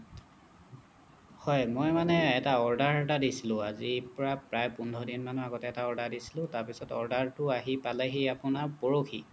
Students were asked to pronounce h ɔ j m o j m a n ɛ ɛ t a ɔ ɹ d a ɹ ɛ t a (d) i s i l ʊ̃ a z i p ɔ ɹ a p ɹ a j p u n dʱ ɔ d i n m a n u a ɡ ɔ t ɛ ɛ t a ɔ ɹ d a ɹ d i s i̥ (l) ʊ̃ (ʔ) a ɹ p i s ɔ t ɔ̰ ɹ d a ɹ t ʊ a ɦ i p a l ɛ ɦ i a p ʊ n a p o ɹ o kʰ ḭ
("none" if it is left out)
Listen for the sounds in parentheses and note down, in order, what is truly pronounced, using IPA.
d, l, t

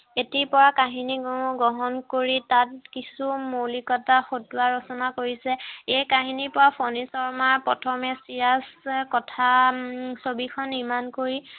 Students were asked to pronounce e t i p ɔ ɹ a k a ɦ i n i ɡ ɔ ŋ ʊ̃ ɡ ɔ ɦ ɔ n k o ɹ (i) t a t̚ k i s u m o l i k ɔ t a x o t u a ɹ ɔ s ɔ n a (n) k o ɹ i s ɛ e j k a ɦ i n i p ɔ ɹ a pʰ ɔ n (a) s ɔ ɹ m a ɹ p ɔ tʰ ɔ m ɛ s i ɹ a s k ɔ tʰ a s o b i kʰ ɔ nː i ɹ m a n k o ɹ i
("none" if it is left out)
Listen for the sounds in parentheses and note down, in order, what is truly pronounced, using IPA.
i, none, i

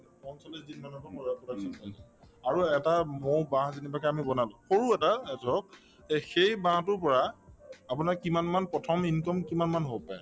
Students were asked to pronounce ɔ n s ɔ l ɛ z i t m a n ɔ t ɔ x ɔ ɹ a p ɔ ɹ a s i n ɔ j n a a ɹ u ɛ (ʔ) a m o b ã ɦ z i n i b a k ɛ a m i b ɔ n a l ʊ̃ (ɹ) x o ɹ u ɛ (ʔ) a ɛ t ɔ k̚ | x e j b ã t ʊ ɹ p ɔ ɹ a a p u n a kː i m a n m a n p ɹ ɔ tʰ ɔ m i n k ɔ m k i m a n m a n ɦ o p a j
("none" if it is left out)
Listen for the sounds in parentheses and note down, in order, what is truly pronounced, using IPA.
t, none, t

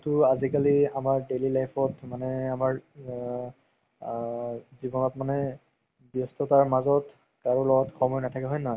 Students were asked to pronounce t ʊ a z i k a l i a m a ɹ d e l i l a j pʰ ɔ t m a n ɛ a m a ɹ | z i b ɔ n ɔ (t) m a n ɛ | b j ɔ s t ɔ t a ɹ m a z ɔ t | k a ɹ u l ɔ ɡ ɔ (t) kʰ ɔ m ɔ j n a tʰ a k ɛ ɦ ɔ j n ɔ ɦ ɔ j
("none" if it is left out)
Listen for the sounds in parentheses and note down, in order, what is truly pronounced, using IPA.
t, t

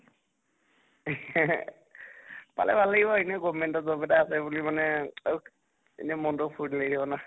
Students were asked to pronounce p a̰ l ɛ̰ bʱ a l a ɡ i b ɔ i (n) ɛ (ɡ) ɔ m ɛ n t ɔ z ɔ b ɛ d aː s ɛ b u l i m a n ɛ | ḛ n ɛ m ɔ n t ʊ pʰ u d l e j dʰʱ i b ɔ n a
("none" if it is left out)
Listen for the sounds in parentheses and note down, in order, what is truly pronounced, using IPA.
n, ɡ

